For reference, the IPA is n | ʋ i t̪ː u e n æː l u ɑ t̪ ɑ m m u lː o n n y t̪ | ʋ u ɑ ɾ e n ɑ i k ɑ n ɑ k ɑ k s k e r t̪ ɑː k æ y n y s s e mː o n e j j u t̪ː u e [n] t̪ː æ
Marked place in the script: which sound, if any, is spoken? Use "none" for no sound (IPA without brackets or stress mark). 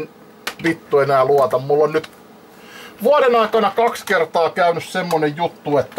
none